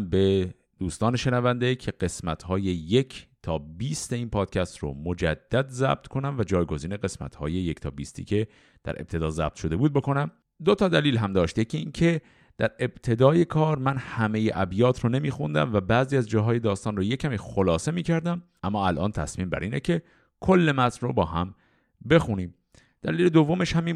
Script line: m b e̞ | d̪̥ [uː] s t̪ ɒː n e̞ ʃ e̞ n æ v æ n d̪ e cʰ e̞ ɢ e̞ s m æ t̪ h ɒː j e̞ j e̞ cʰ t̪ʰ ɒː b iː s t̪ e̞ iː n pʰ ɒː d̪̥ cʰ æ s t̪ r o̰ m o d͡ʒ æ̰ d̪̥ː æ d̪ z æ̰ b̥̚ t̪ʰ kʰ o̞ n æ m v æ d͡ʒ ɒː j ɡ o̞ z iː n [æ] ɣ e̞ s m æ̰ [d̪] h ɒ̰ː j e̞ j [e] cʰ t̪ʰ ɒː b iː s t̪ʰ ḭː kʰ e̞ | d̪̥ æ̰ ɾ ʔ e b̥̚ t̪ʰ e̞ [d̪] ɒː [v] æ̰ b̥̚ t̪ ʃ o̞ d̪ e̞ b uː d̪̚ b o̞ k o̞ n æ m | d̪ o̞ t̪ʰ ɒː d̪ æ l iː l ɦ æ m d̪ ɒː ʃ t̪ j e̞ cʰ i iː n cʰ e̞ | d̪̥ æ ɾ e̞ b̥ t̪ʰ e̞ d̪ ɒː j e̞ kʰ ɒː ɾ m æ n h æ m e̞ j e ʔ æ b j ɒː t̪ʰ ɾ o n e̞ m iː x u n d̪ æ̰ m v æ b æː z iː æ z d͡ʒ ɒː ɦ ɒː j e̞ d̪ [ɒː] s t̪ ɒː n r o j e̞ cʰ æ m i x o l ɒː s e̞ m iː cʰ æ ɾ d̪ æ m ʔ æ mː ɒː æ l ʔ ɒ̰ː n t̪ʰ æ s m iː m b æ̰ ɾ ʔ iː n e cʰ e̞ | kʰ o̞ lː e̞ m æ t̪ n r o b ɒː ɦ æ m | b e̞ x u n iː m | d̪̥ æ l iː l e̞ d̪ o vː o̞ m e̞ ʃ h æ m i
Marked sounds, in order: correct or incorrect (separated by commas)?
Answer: correct, incorrect, incorrect, correct, correct, incorrect, correct